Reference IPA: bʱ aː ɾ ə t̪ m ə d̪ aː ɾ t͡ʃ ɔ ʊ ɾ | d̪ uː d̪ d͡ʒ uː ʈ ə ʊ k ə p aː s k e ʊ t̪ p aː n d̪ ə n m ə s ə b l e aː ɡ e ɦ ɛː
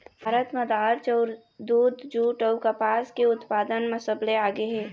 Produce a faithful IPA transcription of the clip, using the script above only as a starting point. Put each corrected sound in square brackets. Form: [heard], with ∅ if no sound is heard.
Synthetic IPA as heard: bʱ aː ɾ ə t̪ m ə d̪ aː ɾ t͡ʃ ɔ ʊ ɾ | d̪ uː d̪ d͡ʒ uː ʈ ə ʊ k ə p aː s k e ʊ t̪ p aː [∅] d̪ ə n m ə s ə b l e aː ɡ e ɦ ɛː